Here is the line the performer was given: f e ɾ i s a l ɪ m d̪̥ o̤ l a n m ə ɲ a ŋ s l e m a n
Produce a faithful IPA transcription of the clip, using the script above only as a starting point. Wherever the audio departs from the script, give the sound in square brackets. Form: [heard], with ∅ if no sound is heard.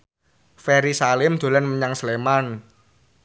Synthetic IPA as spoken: f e ɾ i s a l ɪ m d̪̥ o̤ l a n m ə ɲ a ŋ s l e m a n